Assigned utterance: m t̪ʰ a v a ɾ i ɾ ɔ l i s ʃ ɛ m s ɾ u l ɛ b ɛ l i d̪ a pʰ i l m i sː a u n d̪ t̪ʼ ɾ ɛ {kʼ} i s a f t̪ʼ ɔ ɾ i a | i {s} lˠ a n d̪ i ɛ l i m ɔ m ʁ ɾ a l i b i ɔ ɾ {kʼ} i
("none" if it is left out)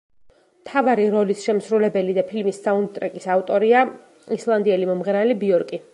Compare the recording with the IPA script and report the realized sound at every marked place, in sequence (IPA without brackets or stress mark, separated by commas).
kʼ, s, kʼ